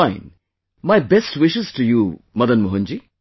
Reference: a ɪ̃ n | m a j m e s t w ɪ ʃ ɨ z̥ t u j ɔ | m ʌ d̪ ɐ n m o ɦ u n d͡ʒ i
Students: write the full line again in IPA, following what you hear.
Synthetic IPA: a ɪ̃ n | m a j b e s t w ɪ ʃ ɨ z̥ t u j u | m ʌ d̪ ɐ n m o ɦ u n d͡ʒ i